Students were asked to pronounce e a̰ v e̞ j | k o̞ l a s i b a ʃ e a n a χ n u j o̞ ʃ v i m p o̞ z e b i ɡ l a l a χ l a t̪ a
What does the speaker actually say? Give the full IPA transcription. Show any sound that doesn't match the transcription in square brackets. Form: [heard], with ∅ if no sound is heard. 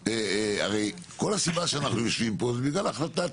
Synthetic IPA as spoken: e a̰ [ʁ] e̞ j | k o̞ l a s i b a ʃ e a n a χ n u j o̞ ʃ v i m p o̞ z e b i ɡ l a l a χ l a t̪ a